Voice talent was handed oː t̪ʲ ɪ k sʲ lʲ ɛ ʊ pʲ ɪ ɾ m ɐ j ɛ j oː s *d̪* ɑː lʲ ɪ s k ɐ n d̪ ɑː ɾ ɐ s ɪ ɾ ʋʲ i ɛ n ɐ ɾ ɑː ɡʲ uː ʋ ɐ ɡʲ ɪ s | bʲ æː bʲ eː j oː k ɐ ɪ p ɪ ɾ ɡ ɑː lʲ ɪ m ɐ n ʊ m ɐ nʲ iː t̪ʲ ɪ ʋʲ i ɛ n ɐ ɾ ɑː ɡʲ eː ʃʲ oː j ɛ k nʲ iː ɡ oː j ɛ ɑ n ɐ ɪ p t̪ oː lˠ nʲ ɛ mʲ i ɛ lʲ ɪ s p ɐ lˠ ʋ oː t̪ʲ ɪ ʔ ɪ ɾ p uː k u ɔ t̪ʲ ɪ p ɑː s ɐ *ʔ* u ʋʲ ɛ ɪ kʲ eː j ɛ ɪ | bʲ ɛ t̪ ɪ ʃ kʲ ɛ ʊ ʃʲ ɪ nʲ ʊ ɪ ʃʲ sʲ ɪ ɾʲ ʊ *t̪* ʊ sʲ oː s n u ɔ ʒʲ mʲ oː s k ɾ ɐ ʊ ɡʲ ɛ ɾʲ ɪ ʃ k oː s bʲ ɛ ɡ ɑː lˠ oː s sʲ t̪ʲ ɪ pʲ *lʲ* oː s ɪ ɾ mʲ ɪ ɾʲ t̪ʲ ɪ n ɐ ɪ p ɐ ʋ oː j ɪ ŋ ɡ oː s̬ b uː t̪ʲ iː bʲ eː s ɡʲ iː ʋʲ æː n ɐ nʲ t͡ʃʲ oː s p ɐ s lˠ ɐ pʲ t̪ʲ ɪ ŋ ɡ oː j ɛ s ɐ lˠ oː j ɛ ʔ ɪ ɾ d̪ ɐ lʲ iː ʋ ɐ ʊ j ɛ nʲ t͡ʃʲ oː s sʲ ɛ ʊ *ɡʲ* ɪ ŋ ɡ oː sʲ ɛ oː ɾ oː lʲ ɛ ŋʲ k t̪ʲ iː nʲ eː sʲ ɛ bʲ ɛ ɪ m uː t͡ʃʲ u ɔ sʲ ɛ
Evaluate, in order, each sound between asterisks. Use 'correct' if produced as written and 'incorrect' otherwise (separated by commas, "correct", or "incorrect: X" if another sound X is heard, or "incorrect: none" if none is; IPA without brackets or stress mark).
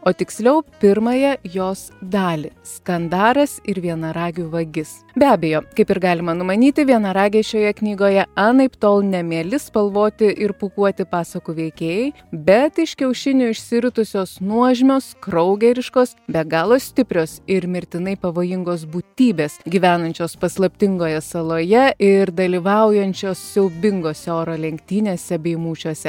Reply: correct, incorrect: k, correct, incorrect: ɾʲ, incorrect: bʲ